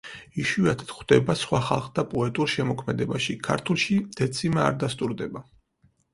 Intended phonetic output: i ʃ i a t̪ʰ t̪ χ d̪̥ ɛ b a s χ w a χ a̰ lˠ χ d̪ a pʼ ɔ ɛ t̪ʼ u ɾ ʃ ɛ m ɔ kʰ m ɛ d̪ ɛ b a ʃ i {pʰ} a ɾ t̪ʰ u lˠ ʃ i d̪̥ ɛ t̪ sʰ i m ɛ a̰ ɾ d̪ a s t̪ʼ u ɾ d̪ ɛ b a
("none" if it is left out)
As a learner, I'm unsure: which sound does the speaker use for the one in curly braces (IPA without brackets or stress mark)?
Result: kʰ